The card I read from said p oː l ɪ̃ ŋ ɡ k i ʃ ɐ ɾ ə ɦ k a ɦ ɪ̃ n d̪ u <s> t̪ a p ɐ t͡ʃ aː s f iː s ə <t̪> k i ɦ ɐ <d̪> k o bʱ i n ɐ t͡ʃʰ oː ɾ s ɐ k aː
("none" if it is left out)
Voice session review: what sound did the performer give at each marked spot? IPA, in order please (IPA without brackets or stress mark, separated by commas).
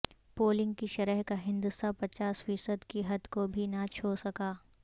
s, d̪, d̪